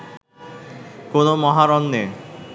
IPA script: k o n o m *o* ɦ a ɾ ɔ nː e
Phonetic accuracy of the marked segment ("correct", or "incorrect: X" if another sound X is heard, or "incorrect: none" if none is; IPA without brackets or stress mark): incorrect: ɔ